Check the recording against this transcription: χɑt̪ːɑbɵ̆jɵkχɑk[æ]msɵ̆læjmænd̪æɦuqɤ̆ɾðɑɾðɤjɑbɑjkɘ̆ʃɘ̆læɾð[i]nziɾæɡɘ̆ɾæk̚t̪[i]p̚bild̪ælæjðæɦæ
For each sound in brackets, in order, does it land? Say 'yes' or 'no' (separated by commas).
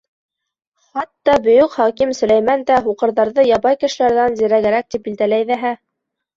no, no, yes